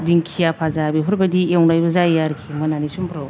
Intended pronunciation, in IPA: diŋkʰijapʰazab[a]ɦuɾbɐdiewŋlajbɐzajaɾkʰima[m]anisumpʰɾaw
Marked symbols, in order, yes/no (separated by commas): no, no